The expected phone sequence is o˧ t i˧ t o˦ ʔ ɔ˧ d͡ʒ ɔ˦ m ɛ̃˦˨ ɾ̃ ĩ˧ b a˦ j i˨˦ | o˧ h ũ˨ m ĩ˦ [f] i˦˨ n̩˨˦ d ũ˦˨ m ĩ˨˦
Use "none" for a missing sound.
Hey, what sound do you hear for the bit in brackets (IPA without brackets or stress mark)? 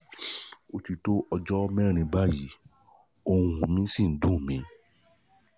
s